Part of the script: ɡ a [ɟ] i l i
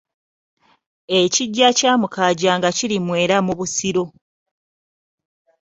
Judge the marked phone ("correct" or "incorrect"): incorrect